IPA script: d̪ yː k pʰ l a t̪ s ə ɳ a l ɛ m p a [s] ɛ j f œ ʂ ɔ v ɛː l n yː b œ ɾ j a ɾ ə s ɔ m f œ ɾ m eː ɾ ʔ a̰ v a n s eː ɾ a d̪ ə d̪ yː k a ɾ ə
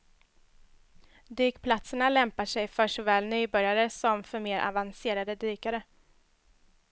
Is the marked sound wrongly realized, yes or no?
yes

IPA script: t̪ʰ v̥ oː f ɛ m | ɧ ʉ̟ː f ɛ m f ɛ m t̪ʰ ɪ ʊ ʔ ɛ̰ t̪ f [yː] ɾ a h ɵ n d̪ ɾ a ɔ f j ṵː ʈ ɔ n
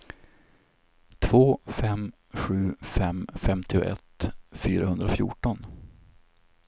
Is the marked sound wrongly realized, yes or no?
no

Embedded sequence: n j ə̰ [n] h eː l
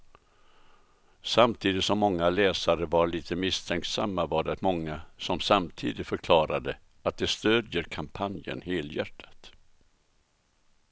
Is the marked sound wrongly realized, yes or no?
no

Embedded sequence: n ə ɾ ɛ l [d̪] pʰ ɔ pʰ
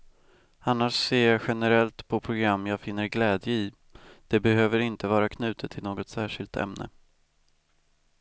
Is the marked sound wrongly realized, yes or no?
yes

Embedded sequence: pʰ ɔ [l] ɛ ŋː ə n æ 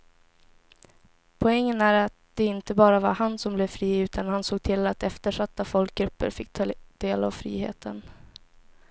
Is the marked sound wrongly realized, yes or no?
yes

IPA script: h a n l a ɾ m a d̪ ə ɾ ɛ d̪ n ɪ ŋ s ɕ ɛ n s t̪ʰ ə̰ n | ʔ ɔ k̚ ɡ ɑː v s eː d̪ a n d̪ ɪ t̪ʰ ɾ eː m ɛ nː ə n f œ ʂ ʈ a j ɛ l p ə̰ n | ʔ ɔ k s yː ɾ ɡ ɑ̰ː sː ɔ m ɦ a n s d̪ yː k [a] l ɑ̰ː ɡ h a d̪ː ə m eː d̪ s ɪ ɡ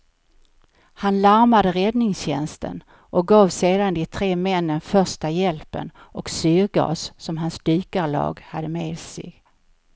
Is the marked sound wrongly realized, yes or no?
no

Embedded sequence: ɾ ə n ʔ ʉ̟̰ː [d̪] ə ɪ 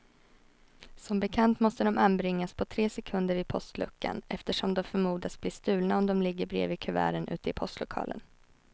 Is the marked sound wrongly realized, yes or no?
yes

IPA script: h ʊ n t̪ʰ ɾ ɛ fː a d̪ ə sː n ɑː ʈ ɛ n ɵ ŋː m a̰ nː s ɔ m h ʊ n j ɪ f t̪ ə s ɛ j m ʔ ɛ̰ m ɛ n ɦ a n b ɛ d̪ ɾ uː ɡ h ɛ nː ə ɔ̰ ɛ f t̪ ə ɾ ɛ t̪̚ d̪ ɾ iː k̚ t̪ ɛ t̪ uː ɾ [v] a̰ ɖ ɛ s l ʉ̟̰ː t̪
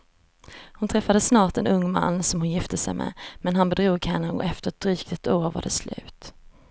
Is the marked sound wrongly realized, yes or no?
no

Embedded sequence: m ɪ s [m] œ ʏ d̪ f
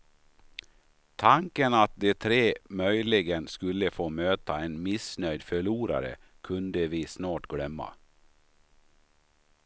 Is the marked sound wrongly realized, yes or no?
yes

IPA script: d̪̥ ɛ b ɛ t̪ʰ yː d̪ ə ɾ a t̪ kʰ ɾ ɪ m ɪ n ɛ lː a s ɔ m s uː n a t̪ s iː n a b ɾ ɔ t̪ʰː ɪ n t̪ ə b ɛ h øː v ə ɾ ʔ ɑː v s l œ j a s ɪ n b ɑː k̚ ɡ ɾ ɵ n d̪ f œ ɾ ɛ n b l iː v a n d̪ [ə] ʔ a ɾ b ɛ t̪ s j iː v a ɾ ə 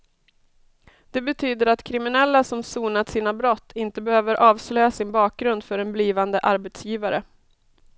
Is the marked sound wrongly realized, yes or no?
no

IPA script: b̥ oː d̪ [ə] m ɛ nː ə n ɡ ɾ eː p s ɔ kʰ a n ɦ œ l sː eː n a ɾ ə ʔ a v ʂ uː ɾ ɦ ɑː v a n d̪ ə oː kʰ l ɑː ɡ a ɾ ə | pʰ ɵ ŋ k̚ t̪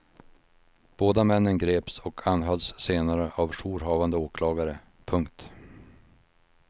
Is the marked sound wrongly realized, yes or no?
yes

